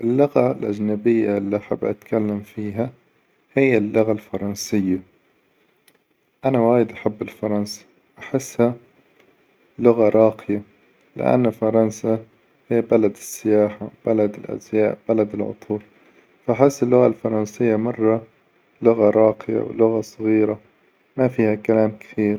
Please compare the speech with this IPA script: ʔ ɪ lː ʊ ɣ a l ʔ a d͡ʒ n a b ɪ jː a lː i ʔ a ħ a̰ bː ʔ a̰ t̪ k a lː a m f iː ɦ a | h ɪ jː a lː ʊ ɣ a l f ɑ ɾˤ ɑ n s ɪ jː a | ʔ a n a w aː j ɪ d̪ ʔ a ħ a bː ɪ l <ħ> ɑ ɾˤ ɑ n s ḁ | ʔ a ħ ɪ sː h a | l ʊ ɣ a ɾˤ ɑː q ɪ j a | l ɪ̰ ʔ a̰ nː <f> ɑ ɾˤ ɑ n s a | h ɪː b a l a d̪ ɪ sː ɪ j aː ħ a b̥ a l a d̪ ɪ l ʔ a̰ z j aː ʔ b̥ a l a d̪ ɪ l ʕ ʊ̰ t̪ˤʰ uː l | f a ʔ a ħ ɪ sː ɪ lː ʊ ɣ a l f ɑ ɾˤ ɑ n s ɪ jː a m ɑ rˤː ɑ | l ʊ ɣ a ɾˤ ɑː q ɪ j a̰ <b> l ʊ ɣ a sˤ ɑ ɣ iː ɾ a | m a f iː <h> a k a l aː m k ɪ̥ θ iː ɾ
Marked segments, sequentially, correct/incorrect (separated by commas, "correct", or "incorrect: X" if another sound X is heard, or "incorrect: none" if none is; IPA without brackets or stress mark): incorrect: f, correct, incorrect: w, correct